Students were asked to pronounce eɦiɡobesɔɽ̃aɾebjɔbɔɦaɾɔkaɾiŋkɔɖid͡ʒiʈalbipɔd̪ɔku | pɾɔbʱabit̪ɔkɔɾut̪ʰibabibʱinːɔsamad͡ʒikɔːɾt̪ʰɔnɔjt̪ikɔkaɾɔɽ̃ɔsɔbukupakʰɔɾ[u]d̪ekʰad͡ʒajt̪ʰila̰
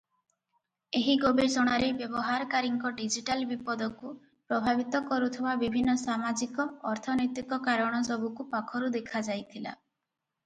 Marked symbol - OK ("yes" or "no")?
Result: yes